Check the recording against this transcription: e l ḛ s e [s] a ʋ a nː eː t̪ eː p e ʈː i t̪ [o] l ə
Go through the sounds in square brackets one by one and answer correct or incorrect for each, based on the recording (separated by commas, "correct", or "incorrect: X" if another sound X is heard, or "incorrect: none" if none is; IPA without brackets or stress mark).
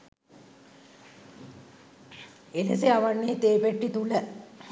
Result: incorrect: none, incorrect: u